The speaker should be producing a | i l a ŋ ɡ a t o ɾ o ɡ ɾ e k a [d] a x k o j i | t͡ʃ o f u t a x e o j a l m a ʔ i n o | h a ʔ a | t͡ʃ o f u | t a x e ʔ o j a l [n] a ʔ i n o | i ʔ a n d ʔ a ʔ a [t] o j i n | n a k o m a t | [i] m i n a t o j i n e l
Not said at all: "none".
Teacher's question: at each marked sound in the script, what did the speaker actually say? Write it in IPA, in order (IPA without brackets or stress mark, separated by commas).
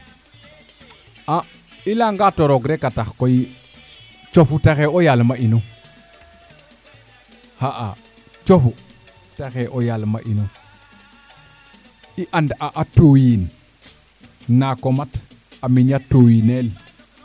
t, m, t, a